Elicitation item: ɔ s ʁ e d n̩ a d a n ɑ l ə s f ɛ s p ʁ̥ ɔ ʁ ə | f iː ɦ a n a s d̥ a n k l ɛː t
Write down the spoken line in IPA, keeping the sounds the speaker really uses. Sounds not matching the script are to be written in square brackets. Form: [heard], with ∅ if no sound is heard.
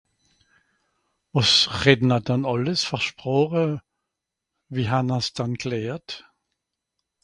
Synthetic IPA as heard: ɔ s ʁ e d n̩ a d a n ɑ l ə s f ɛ [ʃ] p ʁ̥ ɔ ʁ ə | [v] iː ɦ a n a s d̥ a n k l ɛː t